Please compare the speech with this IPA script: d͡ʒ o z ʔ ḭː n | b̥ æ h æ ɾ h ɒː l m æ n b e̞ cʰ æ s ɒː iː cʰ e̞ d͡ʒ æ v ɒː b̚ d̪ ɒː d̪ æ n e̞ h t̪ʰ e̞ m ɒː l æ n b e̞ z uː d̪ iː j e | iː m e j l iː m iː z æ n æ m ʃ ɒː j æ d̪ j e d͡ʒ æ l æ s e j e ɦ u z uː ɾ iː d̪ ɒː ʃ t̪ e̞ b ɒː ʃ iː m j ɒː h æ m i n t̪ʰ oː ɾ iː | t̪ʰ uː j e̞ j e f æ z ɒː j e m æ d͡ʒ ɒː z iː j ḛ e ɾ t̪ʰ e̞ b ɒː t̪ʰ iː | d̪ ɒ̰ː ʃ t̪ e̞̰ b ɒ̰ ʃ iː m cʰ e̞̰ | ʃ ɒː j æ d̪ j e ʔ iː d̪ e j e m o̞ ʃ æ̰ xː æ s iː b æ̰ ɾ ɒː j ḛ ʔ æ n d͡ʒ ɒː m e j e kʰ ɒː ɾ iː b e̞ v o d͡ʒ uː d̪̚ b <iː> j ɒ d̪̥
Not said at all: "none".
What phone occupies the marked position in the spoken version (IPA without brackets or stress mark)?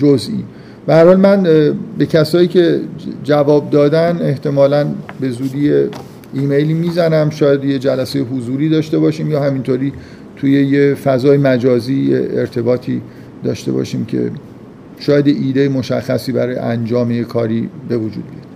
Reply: i